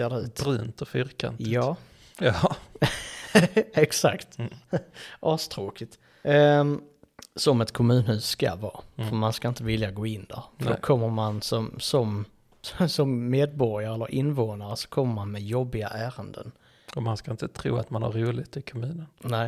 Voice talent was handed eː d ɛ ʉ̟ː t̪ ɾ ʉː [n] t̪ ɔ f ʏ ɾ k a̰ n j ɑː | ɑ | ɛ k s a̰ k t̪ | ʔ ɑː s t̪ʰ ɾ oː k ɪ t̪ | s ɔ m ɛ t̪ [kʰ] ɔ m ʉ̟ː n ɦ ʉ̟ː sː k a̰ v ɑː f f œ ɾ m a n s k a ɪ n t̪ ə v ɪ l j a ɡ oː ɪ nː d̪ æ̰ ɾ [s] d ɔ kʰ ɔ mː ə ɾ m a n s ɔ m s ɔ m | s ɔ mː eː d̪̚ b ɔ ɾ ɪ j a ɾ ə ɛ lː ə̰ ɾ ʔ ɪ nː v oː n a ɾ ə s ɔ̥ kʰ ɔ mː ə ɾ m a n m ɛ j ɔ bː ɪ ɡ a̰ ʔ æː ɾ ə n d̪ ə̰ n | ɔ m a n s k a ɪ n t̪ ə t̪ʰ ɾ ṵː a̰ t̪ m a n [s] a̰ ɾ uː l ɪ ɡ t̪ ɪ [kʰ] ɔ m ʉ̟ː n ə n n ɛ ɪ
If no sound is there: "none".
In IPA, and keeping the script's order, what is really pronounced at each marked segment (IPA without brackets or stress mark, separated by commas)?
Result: n, kʰ, f, h, kʰ